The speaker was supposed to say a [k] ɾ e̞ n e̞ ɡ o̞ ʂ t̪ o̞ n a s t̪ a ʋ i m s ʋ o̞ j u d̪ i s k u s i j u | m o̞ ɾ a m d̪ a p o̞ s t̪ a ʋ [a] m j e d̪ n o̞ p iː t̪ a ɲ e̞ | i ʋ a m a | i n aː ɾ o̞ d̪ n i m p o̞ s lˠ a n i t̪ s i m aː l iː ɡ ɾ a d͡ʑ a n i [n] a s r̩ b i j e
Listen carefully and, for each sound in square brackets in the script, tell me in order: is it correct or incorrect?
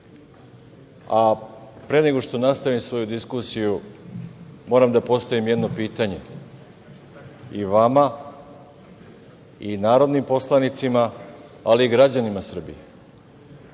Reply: incorrect: p, incorrect: i, incorrect: m

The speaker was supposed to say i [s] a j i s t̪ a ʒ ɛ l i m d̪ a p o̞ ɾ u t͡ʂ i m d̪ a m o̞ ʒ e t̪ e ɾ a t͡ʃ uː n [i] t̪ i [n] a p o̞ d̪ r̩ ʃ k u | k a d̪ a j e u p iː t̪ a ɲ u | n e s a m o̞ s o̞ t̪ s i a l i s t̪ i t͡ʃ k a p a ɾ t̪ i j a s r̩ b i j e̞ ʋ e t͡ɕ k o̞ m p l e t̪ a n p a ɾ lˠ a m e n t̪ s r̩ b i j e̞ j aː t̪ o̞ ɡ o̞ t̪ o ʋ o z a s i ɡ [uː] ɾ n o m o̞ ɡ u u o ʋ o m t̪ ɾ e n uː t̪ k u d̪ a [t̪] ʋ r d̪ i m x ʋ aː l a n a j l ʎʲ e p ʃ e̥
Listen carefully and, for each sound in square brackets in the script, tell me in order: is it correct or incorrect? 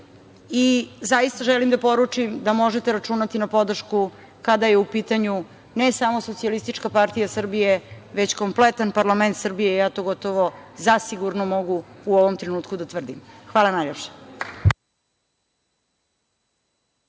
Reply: incorrect: z, incorrect: a, correct, incorrect: u, correct

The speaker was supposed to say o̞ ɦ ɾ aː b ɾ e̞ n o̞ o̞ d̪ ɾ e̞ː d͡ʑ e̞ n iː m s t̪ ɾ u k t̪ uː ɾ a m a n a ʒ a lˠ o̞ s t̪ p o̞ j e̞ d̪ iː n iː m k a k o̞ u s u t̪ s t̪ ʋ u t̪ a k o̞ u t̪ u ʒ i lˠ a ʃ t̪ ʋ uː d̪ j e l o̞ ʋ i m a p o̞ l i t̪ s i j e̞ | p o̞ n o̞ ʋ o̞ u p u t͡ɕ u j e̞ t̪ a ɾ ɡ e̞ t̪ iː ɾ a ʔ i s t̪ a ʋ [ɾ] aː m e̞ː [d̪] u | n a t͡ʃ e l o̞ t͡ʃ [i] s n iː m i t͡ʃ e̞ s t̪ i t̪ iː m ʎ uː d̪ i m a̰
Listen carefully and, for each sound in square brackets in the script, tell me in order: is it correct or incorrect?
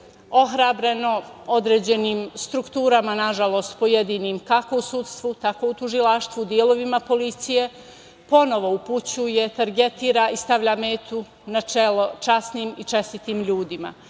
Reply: incorrect: ʎ, incorrect: t̪, incorrect: a

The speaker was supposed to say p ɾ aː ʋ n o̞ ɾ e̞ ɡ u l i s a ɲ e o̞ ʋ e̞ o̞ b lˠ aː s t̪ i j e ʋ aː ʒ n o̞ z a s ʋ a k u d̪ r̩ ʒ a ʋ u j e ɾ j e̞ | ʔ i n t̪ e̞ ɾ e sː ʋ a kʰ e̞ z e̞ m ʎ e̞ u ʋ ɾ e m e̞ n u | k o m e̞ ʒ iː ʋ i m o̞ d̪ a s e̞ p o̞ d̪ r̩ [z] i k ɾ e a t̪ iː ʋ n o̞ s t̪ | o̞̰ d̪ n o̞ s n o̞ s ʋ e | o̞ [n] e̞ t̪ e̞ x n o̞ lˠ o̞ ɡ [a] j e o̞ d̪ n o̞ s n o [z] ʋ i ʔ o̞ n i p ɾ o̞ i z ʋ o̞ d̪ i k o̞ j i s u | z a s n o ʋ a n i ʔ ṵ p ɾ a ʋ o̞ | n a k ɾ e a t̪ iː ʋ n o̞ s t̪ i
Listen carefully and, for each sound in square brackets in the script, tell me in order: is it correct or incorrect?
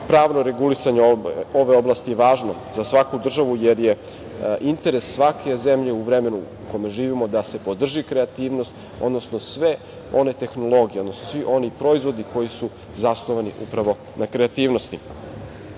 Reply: incorrect: ʒ, correct, incorrect: i, incorrect: s

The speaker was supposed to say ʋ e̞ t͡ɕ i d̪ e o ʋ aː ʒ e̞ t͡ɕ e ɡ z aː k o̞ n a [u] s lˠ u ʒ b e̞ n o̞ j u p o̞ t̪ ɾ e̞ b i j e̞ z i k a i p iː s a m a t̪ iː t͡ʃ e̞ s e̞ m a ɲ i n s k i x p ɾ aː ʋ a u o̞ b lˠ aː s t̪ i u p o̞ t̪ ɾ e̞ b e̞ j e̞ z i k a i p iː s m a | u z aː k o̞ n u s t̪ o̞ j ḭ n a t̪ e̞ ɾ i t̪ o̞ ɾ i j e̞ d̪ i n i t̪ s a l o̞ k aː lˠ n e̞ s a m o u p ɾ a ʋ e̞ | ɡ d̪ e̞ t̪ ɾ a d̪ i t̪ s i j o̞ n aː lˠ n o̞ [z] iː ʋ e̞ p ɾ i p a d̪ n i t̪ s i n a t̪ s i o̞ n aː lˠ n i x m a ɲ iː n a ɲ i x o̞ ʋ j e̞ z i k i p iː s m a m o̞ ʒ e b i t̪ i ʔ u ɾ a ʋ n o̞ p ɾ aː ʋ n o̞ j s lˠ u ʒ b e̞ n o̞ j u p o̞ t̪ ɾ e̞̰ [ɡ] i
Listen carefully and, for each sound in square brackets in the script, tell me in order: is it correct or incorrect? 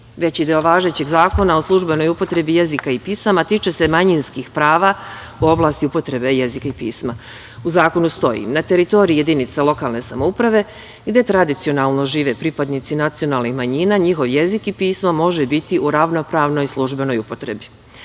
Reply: incorrect: o, incorrect: ʒ, incorrect: b

